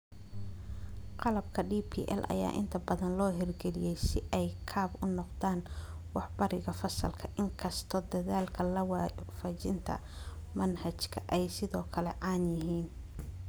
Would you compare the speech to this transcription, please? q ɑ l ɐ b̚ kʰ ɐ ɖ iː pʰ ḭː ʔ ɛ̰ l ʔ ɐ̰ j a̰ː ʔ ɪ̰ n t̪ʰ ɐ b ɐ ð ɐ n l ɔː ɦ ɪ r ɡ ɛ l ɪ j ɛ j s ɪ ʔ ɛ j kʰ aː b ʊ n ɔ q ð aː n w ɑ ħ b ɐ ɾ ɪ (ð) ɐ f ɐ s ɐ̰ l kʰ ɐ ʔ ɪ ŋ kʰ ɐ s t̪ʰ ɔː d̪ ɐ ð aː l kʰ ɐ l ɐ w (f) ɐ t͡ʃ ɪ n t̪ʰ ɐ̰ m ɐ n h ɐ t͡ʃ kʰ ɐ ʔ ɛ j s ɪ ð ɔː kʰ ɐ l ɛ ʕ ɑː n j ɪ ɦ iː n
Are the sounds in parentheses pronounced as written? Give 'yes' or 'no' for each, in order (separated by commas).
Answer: no, yes